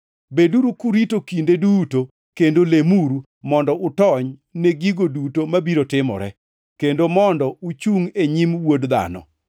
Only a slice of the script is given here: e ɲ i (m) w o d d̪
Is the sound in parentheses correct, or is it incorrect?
correct